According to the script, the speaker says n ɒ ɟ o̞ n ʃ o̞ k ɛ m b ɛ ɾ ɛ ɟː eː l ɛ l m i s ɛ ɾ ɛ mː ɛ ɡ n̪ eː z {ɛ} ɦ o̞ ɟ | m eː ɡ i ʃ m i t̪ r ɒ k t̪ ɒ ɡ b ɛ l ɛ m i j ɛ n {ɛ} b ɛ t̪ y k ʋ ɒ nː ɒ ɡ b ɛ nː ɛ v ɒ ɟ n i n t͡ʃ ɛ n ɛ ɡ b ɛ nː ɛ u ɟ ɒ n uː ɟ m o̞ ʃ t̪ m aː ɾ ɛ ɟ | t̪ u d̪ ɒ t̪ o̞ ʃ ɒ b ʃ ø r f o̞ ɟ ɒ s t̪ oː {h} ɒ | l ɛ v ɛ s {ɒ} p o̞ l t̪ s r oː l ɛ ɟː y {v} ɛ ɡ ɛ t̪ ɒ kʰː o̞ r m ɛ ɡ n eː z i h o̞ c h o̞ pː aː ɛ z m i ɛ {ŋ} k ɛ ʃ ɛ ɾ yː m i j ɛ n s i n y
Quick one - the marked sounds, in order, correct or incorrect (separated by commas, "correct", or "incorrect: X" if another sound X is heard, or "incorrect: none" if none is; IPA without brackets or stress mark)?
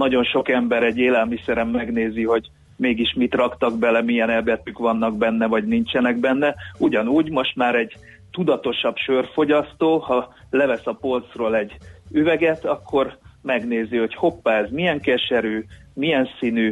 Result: incorrect: i, correct, correct, correct, correct, correct